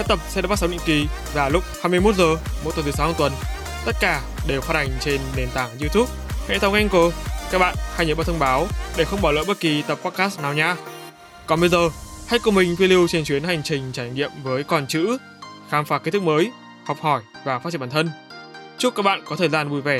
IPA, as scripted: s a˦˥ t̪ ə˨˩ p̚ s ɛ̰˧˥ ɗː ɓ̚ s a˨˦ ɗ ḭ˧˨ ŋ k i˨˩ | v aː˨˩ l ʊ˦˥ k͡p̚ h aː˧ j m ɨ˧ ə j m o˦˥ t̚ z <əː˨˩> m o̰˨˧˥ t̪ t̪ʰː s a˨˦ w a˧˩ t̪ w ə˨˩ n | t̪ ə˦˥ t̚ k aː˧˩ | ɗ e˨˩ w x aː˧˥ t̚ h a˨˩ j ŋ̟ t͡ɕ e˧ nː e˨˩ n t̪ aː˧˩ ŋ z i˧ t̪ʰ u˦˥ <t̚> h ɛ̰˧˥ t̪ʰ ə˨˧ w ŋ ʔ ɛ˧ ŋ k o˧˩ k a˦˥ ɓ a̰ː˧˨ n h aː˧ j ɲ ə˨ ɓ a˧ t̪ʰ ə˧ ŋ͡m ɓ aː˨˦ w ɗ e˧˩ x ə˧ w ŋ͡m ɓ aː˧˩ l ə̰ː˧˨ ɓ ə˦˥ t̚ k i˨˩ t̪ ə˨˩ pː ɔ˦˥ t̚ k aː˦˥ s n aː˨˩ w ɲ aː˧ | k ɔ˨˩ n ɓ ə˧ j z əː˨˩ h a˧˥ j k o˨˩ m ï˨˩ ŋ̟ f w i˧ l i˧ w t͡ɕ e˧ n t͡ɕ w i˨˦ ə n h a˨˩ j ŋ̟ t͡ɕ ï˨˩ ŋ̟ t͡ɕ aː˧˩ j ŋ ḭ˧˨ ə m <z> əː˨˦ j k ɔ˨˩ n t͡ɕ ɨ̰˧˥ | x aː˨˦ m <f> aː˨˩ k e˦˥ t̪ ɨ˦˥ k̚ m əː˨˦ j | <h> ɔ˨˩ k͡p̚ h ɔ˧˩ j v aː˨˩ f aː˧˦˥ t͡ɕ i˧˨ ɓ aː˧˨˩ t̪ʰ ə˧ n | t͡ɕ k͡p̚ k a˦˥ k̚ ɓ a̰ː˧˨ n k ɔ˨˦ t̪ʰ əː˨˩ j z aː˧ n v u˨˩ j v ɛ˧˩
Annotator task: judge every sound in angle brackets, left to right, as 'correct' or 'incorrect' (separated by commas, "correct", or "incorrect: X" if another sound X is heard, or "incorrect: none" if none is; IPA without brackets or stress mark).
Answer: correct, incorrect: p̚, incorrect: v, correct, correct